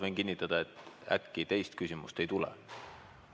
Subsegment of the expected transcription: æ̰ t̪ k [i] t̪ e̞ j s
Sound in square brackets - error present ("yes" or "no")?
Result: no